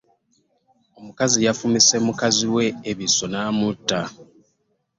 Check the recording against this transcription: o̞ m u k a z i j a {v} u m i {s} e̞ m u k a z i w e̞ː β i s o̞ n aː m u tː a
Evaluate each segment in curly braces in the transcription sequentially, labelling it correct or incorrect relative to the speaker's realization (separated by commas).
incorrect, correct